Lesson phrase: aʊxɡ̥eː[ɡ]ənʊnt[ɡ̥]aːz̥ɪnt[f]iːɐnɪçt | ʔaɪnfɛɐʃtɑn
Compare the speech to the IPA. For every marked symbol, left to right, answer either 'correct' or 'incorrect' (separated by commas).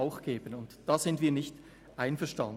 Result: incorrect, incorrect, incorrect